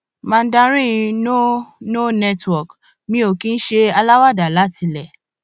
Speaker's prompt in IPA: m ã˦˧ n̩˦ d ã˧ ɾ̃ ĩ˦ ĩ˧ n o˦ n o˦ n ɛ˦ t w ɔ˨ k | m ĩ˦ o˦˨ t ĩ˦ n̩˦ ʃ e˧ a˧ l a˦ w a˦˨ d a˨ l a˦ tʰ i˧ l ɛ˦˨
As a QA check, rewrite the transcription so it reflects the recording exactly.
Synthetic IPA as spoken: m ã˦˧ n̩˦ d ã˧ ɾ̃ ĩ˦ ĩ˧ n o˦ n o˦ n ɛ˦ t w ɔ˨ k | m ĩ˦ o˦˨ k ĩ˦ n̩˦ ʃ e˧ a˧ l a˦ w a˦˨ d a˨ l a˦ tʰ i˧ l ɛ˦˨

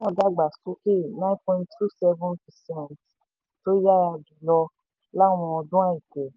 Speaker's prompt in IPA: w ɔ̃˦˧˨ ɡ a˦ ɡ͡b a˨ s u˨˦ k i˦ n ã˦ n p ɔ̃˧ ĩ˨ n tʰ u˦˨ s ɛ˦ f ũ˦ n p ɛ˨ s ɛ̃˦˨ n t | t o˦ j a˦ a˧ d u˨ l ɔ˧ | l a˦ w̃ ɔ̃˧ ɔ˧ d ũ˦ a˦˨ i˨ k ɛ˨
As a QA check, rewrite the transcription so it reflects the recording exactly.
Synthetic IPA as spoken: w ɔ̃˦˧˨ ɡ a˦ ɡ͡b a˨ s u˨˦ k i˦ n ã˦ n p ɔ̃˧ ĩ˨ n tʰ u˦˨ s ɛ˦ v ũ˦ n p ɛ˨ s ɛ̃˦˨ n t | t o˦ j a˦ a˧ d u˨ l ɔ˧ | l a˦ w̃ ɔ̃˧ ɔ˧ d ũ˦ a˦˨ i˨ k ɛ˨

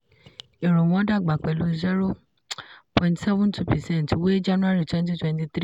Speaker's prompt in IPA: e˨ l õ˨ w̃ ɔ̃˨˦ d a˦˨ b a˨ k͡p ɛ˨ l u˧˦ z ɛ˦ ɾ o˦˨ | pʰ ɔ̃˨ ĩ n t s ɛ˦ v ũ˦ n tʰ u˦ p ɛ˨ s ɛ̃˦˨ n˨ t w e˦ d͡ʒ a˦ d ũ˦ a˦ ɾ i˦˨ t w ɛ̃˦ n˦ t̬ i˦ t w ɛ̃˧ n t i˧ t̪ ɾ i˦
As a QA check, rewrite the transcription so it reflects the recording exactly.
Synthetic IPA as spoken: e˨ ɾ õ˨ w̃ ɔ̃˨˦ d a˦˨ ɡ͡b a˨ k͡p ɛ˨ l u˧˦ z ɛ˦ ɾ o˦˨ | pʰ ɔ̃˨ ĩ n t s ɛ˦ v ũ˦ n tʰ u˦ p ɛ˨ s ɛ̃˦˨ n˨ t w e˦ d͡ʒ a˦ n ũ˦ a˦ ɾ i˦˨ t w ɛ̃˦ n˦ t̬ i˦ t w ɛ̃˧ n t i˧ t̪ ɾ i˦

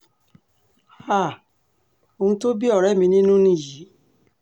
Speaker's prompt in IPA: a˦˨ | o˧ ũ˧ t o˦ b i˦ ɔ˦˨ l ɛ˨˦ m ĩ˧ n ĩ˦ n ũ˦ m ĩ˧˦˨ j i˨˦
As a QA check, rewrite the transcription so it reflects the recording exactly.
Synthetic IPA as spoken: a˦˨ | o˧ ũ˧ t o˦ b i˦ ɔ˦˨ ɾ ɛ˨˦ m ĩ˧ n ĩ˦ n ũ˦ n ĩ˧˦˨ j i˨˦

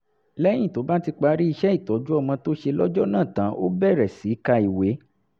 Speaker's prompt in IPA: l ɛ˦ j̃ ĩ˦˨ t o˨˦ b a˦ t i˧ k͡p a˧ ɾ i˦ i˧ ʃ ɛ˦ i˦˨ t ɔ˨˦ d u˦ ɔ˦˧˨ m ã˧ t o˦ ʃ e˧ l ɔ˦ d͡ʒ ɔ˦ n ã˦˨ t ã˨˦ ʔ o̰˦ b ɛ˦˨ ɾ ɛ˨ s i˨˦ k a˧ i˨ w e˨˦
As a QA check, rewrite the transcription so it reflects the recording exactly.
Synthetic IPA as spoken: l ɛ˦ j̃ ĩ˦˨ t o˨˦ b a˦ t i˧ k͡p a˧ ɾ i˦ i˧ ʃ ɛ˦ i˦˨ t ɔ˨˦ d͡ʒ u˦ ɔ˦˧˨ m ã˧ t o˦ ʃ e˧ l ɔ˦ d͡ʒ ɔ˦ n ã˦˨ t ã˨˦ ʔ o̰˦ b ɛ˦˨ ɾ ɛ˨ s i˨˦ k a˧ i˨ w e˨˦

